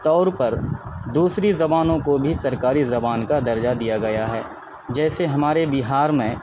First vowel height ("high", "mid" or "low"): mid